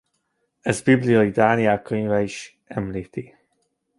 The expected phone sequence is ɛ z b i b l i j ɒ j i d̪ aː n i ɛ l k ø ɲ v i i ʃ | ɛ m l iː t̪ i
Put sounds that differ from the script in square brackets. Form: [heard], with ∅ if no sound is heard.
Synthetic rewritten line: ɛ z b i b l i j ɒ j i d̪ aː n i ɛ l k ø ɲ v [ɛ] i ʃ | ɛ m l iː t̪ i